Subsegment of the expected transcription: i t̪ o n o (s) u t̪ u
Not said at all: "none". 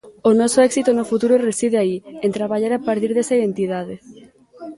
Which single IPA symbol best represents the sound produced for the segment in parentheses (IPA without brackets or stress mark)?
f